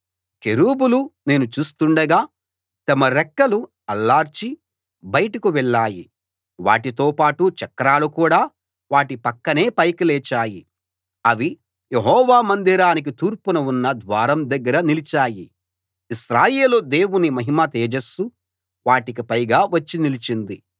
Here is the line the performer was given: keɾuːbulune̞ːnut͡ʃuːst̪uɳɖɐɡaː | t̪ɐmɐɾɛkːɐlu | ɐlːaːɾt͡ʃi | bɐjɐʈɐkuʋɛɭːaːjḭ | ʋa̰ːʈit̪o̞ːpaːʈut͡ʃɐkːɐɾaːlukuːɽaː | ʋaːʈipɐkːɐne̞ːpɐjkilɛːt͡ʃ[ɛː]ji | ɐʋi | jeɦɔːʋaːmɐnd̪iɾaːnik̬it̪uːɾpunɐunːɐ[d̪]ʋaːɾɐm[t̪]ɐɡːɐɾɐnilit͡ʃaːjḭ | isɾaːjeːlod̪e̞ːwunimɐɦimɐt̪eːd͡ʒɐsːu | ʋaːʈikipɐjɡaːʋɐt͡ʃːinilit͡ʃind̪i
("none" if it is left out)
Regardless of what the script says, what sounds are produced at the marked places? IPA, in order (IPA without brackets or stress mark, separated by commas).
aː, d̪, d̪